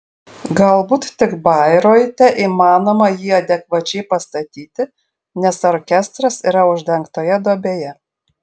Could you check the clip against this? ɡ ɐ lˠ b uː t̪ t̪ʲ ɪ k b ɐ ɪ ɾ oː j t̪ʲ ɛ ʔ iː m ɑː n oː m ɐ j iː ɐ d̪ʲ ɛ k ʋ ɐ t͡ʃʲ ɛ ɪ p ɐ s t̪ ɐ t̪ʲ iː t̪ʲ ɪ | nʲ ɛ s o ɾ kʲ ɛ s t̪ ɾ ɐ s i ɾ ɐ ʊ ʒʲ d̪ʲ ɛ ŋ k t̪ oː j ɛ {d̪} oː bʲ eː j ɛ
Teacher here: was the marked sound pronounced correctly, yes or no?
yes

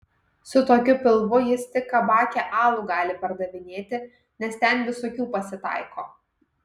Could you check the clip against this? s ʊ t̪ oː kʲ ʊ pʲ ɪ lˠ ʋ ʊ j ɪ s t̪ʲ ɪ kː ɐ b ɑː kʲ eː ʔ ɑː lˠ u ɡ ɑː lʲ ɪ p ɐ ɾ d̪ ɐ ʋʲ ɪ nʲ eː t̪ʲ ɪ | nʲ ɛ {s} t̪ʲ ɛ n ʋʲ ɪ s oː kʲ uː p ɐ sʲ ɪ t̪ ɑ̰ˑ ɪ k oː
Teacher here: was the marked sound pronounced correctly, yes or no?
yes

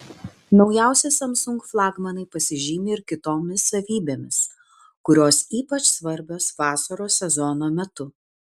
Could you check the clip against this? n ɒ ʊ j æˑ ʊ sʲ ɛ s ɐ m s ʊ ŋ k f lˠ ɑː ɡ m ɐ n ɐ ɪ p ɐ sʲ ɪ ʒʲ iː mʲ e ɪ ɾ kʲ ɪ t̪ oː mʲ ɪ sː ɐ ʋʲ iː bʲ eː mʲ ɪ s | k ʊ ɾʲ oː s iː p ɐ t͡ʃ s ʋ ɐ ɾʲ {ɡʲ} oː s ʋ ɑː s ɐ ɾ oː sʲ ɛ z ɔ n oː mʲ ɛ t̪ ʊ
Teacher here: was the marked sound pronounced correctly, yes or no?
no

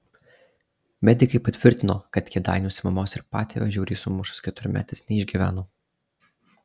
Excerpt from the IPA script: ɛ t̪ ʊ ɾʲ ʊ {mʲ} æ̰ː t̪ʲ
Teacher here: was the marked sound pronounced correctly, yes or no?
yes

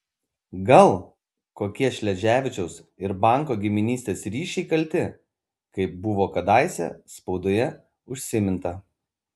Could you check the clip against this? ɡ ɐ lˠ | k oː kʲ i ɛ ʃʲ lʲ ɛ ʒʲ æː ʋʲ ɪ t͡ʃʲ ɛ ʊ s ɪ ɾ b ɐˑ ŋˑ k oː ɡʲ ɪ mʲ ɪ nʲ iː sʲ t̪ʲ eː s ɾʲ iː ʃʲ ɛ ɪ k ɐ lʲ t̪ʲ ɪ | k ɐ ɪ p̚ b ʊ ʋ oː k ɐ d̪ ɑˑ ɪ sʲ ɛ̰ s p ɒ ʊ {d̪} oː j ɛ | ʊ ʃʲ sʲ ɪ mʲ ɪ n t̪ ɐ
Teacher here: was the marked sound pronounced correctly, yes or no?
yes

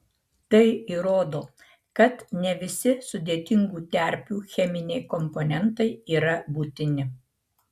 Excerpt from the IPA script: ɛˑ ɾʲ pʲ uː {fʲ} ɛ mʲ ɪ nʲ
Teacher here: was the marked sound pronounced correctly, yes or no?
no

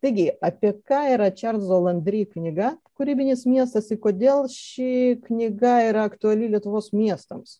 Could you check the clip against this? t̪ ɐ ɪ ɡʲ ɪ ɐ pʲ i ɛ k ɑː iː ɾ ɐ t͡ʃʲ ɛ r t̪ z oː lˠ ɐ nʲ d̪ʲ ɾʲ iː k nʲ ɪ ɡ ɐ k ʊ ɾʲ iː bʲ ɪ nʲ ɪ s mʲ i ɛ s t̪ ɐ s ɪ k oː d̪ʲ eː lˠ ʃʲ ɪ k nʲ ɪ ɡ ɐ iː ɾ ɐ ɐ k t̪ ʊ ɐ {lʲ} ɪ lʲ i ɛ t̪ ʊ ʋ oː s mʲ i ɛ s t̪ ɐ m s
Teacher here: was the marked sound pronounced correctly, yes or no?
yes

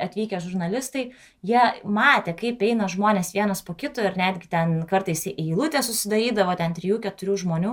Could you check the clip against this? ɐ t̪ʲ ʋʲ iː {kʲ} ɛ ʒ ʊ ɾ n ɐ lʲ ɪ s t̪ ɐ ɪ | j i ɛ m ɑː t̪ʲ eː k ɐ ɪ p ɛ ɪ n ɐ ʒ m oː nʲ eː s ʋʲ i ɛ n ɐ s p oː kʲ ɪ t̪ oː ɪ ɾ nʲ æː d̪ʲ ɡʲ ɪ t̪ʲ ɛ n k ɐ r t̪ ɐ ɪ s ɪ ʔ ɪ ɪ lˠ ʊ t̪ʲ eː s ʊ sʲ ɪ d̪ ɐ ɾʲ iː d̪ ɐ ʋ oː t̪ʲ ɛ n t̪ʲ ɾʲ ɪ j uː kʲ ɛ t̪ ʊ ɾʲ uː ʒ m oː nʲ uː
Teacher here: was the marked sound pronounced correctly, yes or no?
yes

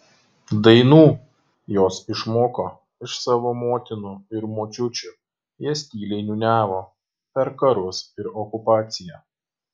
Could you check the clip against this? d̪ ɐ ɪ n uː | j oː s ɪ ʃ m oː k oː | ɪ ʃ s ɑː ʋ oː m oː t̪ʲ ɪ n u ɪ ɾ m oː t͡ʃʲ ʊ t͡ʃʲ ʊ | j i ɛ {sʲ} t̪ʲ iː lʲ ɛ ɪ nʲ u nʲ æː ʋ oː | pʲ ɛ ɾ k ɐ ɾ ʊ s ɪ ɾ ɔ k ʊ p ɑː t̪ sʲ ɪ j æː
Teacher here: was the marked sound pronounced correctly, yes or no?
yes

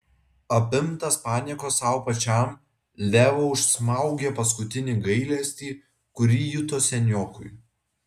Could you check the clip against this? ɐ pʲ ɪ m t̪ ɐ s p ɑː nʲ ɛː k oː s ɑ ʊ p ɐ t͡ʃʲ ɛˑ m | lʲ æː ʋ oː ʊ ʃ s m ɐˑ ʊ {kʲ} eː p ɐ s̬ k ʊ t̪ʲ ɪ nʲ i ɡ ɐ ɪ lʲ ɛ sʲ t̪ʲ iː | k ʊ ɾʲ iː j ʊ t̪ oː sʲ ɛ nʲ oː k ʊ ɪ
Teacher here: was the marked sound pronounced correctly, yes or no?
no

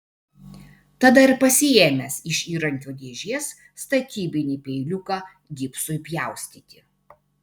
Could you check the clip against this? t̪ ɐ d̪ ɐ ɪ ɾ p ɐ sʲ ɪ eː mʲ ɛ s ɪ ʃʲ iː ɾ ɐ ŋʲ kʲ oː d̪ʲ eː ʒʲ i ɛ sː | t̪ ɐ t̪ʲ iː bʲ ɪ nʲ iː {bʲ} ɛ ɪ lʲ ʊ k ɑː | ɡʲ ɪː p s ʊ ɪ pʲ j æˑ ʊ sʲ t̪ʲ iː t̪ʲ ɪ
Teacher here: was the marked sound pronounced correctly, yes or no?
no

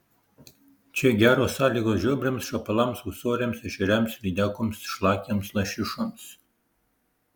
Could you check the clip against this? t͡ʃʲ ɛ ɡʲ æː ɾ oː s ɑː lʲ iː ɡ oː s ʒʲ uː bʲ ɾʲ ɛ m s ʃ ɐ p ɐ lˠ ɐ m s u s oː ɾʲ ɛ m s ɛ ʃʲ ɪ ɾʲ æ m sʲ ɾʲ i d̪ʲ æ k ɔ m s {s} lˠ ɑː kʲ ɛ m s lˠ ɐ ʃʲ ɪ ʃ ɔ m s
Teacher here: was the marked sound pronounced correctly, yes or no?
no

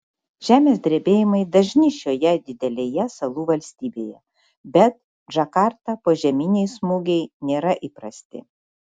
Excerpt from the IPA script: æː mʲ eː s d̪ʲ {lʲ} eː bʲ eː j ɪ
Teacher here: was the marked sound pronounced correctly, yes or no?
no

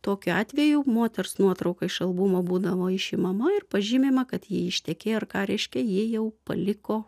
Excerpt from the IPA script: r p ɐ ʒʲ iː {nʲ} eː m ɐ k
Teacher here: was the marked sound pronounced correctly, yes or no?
no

